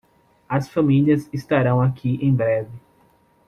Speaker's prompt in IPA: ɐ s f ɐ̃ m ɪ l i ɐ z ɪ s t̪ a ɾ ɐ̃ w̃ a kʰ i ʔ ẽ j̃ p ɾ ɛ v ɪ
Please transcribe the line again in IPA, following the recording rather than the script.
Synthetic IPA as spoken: ɐ s f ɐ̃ m i l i ɐ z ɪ s t̪ a ɾ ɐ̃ w̃ a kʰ i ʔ ẽ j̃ b ɾ ɛ v ɪ